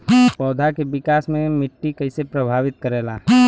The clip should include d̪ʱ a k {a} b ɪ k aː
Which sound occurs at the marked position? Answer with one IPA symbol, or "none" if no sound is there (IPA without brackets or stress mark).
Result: e